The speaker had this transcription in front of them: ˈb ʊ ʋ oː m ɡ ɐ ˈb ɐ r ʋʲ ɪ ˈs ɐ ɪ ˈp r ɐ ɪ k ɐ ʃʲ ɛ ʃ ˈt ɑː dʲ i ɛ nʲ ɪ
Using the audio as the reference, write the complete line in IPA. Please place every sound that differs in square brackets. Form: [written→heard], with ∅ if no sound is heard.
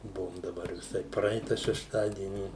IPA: ˈb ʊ ʋ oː m [ɡ→d] ɐ ˈb ɐ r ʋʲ ɪ ˈs ɐ ɪ ˈp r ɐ ɪ [k→t] ɐ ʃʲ ɛ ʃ ˈt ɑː dʲ i ɛ nʲ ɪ